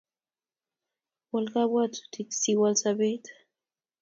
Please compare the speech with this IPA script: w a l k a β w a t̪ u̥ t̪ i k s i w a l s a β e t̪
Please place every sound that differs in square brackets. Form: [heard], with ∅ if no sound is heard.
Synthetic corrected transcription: w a l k a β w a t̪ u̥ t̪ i k s i w a l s a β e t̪